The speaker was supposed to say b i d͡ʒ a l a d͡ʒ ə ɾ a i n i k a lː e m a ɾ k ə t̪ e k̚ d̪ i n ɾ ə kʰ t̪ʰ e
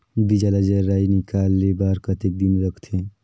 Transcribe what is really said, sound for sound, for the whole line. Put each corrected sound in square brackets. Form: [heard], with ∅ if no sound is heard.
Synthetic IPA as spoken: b i d͡ʒ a l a d͡ʒ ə ɾ a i n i k a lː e [b] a ɾ k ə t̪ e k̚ d̪ i n ɾ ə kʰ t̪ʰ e